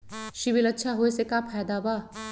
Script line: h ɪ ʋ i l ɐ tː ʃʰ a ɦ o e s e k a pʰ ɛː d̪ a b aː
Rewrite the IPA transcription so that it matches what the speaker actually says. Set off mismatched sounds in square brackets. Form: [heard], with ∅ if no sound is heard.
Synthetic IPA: [ʃ] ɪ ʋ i l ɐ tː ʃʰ a ɦ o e s e k a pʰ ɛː d̪ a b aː

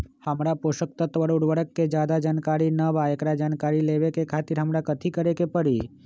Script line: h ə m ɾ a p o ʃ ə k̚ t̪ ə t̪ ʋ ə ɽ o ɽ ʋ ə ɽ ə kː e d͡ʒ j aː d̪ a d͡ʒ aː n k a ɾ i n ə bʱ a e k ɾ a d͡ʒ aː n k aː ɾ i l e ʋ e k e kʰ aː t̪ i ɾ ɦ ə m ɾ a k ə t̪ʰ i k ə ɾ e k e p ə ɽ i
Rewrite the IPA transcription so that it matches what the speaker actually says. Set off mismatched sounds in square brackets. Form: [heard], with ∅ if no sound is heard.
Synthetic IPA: h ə m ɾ a p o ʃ ə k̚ t̪ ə t̪ ʋ ə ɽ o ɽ ʋ ə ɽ ə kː e d͡ʒ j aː d̪ a d͡ʒ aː n k a ɾ i n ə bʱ a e k ɾ a d͡ʒ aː n k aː ɾ i l e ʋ e k e kʰ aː t̪ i ɾ ɦ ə m ɾ a k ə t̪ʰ i k ə ɾ e k e p ə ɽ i

